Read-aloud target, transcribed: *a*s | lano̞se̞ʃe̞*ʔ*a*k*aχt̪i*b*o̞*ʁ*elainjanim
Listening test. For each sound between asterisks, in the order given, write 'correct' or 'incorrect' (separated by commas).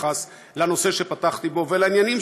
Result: correct, incorrect, incorrect, correct, incorrect